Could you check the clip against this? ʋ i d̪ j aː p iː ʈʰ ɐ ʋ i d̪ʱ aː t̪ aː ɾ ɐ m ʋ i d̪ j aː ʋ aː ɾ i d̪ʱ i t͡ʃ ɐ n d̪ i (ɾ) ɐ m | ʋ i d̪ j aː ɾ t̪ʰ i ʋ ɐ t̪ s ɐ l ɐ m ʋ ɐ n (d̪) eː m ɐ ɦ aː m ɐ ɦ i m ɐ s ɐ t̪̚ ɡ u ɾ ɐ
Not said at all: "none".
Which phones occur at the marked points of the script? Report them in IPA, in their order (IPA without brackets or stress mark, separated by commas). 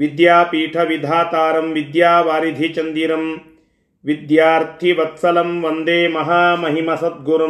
ɾ, d̪